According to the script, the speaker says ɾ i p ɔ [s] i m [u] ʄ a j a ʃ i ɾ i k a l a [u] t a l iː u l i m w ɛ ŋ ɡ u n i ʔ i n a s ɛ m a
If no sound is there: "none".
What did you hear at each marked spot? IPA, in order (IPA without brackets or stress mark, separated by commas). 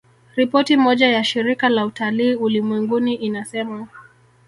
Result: t, ɔ, u